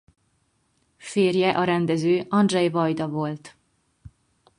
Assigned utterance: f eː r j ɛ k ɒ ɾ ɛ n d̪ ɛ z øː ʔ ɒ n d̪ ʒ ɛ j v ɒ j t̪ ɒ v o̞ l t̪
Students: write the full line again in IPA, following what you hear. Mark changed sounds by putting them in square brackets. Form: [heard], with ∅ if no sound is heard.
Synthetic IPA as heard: f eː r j ɛ [ʔ] ɒ ɾ ɛ n d̪ ɛ z øː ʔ ɒ n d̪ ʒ ɛ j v ɒ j [d̪] ɒ v o̞ l t̪